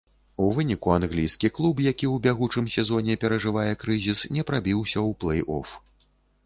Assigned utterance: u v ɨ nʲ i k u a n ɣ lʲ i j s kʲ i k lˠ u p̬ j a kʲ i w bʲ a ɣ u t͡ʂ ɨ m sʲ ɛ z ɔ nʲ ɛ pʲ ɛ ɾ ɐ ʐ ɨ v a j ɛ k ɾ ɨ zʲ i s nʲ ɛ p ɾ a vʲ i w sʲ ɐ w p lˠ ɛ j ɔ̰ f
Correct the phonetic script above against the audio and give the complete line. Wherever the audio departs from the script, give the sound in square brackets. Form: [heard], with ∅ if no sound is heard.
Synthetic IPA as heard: u v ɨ nʲ i k u a n ɣ lʲ i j s kʲ i k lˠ u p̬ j a kʲ i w bʲ a ɣ u t͡ʂ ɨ m sʲ ɛ z ɔ nʲ ɛ pʲ ɛ ɾ ɐ ʐ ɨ v a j ɛ k ɾ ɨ zʲ i s nʲ ɛ p ɾ a [bʲ] i w sʲ ɐ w p lˠ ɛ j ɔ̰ f